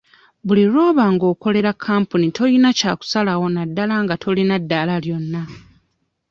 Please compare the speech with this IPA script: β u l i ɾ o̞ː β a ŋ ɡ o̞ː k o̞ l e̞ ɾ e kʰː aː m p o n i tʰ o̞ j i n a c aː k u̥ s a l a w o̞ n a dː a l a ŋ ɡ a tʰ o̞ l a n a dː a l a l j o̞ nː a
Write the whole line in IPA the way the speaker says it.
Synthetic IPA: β u l i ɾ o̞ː β a ŋ ɡ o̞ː k o̞ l e̞ ɾ a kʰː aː m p u n i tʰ o̞ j i n a c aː k u̥ s a l a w o̞ n a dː a l a ŋ ɡ a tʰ o̞ l i n a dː a l a l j o̞ nː a